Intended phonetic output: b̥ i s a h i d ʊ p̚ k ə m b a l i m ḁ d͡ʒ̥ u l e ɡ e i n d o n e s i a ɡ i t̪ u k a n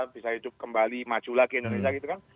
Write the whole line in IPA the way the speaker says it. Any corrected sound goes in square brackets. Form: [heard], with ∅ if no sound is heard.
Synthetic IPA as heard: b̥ i s a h i d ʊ p̚ k ə m b a l i m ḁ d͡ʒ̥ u l [a] ɡ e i n d o n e s i a ɡ i t̪ u k a n